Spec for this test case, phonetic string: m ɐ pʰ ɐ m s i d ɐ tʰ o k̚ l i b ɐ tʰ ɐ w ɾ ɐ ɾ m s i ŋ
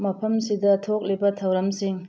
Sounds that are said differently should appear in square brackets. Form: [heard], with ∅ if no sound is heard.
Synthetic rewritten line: m ɐ pʰ ɐ m s i d ɐ tʰ o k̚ l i b ɐ tʰ ɐ w ɾ ɐ [∅] m s i ŋ